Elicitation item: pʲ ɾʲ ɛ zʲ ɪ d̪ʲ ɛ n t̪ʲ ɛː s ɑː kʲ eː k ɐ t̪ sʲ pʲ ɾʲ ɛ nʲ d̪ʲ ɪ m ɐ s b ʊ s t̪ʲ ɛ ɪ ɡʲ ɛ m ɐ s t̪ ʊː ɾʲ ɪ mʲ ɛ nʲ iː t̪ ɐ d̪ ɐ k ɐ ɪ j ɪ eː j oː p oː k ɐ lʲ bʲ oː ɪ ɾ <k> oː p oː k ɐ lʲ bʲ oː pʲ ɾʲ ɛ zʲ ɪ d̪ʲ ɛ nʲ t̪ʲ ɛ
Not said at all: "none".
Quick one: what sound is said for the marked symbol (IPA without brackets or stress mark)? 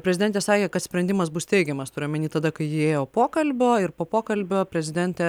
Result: p